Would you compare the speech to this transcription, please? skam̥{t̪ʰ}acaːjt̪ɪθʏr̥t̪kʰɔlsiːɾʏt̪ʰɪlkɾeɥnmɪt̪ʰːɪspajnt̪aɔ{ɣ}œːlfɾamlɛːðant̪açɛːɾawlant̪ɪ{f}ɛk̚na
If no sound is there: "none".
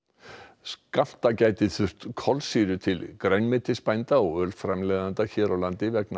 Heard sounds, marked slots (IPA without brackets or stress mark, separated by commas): t̪, ɣ, v